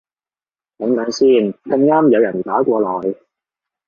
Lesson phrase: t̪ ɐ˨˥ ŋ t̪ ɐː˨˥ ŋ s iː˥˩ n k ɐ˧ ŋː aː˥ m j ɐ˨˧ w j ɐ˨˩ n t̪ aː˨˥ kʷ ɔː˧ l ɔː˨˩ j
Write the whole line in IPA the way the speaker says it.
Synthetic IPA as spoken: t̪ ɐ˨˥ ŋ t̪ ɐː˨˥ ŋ s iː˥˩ n k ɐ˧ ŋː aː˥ m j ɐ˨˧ w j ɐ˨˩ n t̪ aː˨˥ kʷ ɔː˧ l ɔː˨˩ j

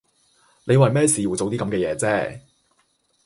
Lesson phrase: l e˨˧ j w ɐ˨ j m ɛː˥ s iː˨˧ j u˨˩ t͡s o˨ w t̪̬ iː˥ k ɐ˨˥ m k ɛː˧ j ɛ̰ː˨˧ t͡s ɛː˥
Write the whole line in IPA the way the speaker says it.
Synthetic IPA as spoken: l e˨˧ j w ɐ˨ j m ɛː˥ s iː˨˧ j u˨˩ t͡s o˨ w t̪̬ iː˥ k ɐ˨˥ m k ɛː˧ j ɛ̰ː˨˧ t͡s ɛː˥

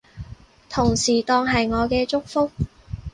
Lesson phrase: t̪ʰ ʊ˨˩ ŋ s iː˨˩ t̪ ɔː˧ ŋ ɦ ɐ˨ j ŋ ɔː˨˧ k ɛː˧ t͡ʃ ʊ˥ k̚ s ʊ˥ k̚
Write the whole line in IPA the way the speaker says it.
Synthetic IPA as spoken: t̪ʰ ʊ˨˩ ŋ s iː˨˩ t̪ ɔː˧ ŋ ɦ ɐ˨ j ŋ ɔː˨˧ k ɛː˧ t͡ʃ ʊ˥ k̚ f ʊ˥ k̚

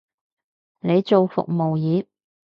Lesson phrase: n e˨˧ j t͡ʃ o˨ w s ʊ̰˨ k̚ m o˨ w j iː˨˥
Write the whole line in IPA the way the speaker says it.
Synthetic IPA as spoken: n e˨˧ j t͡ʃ o˨ w f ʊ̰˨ k̚ m o˨ w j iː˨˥

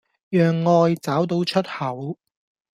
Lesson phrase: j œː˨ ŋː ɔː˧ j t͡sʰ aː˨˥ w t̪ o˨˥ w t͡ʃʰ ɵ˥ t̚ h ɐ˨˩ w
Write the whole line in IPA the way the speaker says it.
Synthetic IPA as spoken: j œː˨ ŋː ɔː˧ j t͡s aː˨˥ w t̪ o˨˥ w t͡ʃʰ ɵ˥ t̚ h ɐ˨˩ w

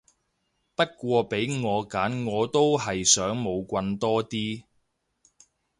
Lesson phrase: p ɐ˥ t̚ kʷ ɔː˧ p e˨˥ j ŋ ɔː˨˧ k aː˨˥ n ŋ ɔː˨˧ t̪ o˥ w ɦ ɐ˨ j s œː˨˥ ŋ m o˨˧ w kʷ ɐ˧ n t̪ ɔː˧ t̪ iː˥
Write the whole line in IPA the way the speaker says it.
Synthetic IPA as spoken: p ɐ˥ t̚ kʷ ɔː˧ p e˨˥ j ŋ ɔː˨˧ k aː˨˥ n ŋ ɔː˨˧ t̪ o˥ w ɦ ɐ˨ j s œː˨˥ ŋ m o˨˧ w kʷ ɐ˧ n t̪ ɔː˥ t̪ iː˥

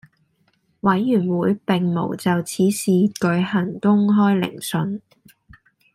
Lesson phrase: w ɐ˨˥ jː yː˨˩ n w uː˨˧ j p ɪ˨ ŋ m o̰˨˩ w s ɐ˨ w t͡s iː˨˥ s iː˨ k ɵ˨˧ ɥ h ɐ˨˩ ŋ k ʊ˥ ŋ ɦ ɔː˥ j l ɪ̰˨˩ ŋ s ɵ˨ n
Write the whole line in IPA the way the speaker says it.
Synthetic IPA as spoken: w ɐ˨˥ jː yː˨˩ n w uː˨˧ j p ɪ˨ ŋ m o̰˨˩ w t͡s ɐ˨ w t͡sʰ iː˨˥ s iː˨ k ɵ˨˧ ɥ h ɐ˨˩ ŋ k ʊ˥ ŋ ɦ ɔː˥ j l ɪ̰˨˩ ŋ s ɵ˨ n

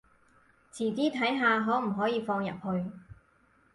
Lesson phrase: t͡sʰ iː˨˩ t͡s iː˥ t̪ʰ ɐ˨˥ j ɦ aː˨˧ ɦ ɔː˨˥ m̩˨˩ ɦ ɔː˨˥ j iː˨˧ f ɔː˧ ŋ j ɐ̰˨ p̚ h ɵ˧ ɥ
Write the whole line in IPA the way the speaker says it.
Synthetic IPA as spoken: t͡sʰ iː˨˩ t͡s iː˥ t̪ʰ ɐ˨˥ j ɦ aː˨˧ ɦ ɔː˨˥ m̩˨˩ ɦ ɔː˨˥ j iː˨˧ f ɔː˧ ŋ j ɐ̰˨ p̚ h ɵ˧ ɥ

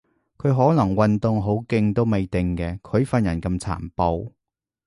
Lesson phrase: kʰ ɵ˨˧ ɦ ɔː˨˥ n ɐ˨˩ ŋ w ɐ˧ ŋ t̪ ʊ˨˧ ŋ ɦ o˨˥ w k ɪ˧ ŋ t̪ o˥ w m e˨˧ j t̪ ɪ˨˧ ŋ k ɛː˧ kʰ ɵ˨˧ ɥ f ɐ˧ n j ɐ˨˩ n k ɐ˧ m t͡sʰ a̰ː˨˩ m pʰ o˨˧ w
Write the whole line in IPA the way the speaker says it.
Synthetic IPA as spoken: kʰ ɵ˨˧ ɦ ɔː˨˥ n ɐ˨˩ ŋ w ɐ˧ n t̪ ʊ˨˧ ŋ ɦ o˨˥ w k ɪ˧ ŋ t̪ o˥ w m e˨˧ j t̪ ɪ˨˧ ŋ k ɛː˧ kʰ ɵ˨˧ ɥ f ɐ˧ n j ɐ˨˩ n k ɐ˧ m t͡sʰ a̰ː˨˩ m p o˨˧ w

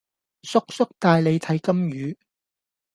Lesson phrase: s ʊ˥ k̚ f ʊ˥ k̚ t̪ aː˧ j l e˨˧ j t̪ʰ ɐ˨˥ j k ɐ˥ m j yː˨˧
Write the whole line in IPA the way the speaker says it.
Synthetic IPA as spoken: s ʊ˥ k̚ s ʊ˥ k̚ t̪ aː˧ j l e˨˧ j t̪ʰ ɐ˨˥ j k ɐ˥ m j yː˨˧

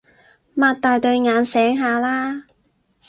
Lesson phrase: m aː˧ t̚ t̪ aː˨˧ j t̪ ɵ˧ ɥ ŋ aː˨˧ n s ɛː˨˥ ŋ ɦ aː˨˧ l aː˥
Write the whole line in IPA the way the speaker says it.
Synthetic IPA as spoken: m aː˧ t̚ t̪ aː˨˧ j t̪ ɵ˧ ɥ ŋ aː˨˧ n s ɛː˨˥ ŋ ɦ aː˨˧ l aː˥

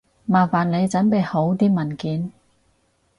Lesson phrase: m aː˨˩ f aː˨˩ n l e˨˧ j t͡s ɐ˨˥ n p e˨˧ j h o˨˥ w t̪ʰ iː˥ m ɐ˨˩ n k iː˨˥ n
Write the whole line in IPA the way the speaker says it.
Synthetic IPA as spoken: m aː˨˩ f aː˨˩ n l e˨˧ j t͡s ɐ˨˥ n p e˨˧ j h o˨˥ w t̪ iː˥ m ɐ˨˩ n k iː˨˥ n

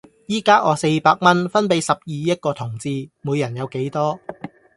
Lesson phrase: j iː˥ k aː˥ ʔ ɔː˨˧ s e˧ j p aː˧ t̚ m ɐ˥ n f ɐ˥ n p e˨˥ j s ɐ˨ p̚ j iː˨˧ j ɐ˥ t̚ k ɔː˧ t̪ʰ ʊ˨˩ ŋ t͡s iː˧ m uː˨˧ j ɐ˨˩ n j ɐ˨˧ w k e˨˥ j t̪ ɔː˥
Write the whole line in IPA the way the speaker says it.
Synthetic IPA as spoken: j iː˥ k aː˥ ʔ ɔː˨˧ s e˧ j p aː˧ k̚ m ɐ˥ n f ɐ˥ n p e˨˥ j s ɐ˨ p̚ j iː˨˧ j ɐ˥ t̚ k ɔː˧ t̪ʰ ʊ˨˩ ŋ t͡s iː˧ m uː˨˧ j ɐ˨˩ n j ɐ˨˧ w k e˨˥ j t̪ ɔː˥

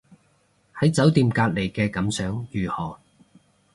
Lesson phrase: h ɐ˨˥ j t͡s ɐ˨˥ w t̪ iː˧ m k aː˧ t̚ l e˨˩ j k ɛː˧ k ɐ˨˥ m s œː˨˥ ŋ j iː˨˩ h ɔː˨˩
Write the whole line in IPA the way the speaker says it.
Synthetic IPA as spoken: h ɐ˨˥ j t͡s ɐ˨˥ w t̪ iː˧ m k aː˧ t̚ l e˨˩ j k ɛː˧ k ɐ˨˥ m s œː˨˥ ŋ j yː˨˩ h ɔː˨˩

